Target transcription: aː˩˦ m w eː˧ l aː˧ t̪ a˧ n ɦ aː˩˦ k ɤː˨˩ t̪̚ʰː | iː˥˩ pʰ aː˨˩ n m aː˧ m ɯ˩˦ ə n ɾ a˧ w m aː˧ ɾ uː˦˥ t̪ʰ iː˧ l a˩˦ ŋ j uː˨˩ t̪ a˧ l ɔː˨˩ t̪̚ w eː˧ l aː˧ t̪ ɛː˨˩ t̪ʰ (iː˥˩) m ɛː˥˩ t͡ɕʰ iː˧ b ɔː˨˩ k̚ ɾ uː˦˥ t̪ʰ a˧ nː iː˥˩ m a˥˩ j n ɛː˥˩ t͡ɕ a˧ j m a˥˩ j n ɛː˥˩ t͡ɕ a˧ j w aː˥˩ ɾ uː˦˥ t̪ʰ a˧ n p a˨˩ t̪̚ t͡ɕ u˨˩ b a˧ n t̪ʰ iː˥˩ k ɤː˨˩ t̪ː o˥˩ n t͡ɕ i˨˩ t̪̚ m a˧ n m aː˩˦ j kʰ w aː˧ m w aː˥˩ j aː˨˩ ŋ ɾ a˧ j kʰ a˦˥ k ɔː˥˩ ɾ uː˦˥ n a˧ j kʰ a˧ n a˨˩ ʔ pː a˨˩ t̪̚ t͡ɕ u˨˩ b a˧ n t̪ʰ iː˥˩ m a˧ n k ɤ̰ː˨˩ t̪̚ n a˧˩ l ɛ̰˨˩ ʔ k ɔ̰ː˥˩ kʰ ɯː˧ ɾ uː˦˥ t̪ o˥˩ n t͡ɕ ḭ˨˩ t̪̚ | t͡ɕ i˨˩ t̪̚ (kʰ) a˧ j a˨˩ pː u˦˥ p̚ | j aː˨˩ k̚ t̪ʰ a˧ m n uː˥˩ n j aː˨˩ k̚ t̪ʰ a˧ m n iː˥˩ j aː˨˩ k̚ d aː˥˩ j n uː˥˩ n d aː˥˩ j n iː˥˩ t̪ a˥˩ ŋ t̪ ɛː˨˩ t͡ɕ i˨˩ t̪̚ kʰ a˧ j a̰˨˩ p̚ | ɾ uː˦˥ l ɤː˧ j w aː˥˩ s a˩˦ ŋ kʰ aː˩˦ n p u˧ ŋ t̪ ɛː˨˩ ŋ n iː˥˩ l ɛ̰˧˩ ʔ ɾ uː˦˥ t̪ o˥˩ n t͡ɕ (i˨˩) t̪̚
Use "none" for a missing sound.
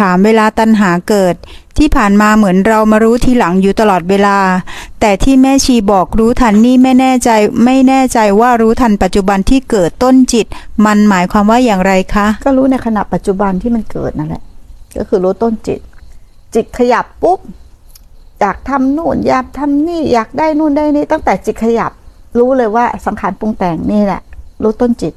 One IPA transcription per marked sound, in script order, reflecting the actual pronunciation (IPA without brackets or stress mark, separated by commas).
iː˥˩, kʰ, i˨˩